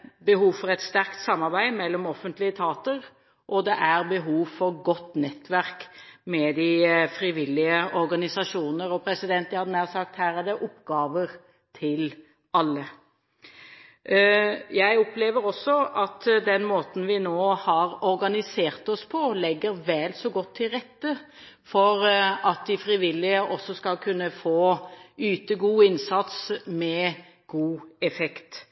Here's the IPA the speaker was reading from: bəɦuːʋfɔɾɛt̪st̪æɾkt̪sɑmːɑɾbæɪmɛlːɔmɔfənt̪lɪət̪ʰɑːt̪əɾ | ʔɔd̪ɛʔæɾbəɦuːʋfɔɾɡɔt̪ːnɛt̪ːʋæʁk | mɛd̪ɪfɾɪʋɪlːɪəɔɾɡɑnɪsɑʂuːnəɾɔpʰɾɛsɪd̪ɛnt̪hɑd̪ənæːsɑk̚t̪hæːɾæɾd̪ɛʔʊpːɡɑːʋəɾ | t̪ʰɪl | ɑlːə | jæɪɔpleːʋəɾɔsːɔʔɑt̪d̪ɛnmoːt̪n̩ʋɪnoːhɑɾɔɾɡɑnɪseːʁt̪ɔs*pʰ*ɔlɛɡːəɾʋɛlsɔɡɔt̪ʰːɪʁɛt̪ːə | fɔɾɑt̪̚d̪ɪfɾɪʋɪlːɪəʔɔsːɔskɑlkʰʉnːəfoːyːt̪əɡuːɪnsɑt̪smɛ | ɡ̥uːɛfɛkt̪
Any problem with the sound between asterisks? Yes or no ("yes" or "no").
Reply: no